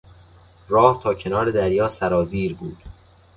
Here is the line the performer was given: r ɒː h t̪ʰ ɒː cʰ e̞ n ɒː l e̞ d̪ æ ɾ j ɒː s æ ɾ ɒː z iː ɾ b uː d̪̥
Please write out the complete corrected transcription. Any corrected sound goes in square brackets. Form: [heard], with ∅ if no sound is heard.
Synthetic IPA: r ɒː h t̪ʰ ɒː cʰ e̞ n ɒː [ɾ] e̞ d̪ æ ɾ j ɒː s æ ɾ ɒː z iː ɾ b uː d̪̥